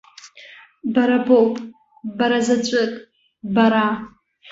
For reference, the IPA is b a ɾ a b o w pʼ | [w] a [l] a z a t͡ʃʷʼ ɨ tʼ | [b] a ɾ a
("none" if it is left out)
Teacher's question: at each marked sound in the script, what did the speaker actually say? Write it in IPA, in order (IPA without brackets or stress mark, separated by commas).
b, ɾ, b